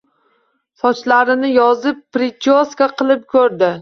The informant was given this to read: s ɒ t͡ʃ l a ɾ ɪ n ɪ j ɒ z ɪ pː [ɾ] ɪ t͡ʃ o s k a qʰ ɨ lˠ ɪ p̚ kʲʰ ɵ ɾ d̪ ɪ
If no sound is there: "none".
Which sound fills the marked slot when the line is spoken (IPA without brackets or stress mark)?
ɾ